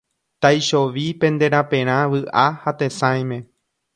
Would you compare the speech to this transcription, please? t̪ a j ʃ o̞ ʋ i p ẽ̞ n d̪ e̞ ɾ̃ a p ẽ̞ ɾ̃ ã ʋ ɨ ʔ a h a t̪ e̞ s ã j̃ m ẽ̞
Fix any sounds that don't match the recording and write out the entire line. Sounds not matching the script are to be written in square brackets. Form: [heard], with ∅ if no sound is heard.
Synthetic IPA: t̪ a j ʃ o̞ ʋ i p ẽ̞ n d̪ e̞ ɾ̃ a p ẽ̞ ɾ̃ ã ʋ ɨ ʔ a h a t̪ e̞ s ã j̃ m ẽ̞